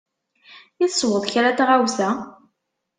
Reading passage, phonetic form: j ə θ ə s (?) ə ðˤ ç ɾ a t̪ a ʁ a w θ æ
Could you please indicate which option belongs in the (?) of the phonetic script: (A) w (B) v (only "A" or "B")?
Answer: A